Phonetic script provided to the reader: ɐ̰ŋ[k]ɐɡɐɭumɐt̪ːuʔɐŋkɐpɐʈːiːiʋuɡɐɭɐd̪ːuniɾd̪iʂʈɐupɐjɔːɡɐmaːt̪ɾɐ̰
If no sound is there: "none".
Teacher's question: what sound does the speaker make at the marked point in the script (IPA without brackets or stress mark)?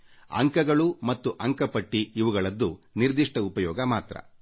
k